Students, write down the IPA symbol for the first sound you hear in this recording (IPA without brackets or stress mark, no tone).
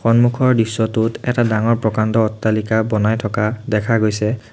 x